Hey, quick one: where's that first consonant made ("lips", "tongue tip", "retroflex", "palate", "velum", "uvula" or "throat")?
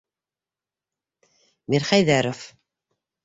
lips